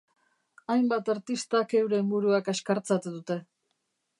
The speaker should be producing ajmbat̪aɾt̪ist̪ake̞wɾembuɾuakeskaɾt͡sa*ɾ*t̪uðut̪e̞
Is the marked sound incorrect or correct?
incorrect